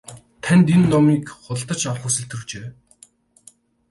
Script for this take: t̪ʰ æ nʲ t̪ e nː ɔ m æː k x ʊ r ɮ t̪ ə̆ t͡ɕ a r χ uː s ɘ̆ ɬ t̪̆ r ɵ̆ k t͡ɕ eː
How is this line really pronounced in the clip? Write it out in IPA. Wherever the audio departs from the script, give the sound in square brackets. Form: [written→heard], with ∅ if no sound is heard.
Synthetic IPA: t̪ʰ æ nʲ t̪ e nː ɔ m [æː→iː] k [x→χ] ʊ [r→∅] ɮ t̪ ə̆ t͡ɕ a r χ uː s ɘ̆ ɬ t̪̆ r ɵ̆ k t͡ɕ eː